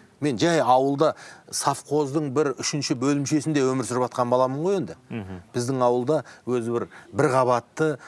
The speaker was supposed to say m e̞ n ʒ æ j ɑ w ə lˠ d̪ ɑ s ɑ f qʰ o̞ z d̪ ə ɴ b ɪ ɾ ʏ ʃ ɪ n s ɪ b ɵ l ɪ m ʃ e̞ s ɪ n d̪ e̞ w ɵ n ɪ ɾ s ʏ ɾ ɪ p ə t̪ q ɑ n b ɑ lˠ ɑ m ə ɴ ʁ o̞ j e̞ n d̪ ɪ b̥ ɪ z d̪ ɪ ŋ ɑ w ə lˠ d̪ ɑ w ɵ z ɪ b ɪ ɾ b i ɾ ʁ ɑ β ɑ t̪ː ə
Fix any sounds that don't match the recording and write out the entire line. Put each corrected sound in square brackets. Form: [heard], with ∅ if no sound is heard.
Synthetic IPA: m e̞ n ʒ æ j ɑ w ə lˠ d̪ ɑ s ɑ f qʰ o̞ z d̪ ə ɴ b ɪ ɾ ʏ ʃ ɪ n [ʃ] ɪ b ɵ l ɪ m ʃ e̞ s ɪ n d̪ e̞ w ɵ [m] ɪ ɾ s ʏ ɾ ɪ p [ɑ] t̪ q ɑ n b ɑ lˠ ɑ m ə ɴ ʁ o̞ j e̞ n d̪ ɪ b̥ ɪ z d̪ ɪ ŋ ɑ w ə lˠ d̪ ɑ w ɵ z ɪ b ɪ ɾ b [ɪ] ɾ ʁ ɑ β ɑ t̪ː ə